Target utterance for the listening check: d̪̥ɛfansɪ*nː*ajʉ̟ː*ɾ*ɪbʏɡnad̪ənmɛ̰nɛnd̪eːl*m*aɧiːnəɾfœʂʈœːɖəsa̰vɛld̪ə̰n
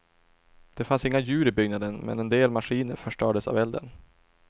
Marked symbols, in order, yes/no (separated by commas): no, yes, yes